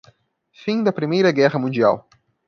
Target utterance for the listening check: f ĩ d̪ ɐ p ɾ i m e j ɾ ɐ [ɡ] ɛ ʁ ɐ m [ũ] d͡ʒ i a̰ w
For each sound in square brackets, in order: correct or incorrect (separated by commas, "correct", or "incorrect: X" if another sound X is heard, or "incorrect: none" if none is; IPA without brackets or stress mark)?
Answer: correct, correct